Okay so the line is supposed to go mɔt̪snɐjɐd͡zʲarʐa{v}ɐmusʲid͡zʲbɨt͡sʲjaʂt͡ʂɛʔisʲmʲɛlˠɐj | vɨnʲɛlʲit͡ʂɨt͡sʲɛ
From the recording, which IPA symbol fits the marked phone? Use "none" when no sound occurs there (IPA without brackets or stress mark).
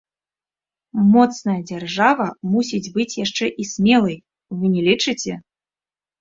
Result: v